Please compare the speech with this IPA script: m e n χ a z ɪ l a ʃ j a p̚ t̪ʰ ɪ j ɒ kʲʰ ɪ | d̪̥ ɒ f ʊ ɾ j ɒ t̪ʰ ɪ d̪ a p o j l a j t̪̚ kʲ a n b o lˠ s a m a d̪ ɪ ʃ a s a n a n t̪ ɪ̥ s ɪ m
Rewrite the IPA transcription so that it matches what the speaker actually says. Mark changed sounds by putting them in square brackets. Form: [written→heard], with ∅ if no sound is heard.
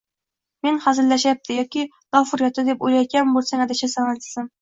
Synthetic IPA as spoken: m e n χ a z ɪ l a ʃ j a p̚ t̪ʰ ɪ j ɒ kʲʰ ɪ | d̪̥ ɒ f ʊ ɾ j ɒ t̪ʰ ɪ d̪ [a→e] p o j l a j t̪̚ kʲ a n b o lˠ s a [m→ŋ] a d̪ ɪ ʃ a s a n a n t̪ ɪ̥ s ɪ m